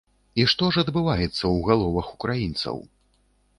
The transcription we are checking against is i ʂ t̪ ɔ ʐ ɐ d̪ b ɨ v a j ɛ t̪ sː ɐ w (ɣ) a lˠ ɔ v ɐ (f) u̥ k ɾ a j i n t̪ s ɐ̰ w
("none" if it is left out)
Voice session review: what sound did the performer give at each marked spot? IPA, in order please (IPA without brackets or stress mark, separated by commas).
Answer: ɣ, x